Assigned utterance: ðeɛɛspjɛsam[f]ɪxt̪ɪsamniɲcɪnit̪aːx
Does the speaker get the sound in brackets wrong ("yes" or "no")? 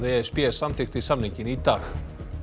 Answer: yes